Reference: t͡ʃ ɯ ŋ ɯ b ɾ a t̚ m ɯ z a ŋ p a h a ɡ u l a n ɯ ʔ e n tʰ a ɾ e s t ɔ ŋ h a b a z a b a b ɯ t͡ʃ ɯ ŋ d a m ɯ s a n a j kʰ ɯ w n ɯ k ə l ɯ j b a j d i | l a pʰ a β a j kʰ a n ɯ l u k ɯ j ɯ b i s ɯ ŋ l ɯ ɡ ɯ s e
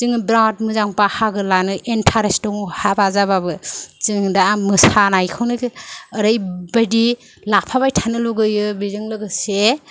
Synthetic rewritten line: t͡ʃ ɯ ŋ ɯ b ɾ a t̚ m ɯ z a ŋ p a h a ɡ ɯ l a n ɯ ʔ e n tʰ a ɾ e s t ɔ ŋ h a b a z a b a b ɯ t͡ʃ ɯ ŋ d a m ɯ s a n a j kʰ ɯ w n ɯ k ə ɾ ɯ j b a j d i | l a pʰ a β a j tʰ a n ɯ l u ɡ ɯ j ɯ b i z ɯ ŋ l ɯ ɡ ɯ s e